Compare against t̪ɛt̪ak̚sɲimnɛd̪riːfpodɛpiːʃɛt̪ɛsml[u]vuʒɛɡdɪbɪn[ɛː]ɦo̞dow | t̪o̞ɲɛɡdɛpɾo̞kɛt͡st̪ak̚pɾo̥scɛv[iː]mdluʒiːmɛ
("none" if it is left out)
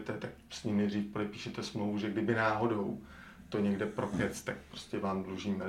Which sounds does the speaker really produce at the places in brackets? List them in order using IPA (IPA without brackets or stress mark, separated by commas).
o, aː, aː